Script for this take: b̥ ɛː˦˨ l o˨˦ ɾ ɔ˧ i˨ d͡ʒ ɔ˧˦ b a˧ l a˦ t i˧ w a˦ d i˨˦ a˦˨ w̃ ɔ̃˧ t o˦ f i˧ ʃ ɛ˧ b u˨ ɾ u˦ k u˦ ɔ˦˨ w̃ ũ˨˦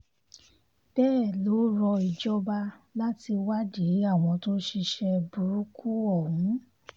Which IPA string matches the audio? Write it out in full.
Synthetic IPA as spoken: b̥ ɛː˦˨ l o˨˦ ɾ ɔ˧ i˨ d͡ʒ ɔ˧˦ b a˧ l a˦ t i˧ w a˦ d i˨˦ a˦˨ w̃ ɔ̃˧ t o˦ ʃ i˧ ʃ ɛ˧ b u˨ ɾ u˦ k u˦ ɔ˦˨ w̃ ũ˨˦

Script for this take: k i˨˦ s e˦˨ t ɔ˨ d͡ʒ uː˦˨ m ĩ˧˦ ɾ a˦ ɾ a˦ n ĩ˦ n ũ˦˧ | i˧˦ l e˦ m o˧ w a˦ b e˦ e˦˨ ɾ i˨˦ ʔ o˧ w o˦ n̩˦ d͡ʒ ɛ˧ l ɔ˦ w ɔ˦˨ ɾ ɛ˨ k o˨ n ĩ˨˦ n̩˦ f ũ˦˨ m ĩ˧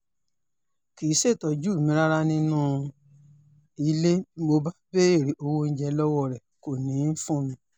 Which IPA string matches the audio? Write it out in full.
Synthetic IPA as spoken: k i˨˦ s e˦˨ t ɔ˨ d͡ʒ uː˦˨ m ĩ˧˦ ɾ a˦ ɾ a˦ n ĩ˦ n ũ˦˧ | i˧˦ l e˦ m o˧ b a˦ b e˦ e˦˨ ɾ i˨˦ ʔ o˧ w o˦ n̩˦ d͡ʒ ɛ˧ l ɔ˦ w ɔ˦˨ ɾ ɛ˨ k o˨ n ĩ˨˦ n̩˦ f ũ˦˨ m ĩ˧

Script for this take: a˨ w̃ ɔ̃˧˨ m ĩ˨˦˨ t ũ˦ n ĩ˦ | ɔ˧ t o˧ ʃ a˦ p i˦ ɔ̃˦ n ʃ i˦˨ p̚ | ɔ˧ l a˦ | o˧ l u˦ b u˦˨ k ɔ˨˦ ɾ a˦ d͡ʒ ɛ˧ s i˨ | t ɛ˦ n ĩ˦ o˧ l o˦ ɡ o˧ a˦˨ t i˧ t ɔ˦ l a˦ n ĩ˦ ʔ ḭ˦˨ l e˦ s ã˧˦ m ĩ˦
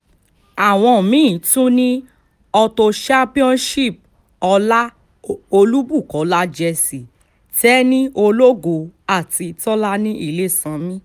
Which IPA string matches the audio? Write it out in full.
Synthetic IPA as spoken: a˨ w̃ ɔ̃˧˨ m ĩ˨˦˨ t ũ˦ n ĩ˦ | ɔ˧ t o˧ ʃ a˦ p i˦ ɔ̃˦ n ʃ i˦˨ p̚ | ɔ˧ l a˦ | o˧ l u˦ b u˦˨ k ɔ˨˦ l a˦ d͡ʒ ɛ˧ s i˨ | t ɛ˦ n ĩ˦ o˧ l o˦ ɡ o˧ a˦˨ t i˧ t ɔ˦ l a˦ n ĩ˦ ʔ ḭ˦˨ l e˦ s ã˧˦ m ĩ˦

